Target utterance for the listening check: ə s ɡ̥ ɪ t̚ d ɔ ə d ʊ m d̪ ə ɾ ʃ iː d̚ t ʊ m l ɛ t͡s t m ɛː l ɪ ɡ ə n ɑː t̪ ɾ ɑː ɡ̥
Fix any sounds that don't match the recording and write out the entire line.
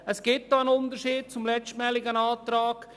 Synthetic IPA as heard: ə s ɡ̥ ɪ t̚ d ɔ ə n ʊ n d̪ ə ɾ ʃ iː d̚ t͡s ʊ m l ɛ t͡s t m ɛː l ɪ ɡ ə n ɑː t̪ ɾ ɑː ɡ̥